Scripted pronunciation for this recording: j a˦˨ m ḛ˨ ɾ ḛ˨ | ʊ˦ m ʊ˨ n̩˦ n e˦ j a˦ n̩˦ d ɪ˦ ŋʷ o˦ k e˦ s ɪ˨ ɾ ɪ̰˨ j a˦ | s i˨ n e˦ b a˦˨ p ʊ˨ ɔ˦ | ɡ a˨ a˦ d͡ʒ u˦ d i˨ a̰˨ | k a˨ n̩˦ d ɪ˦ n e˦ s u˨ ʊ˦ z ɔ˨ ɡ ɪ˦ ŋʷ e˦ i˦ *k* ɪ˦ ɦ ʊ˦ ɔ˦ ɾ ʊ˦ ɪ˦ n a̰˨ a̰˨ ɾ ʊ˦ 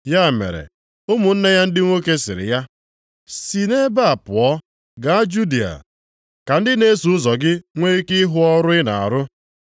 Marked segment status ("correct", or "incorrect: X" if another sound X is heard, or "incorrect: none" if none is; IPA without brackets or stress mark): correct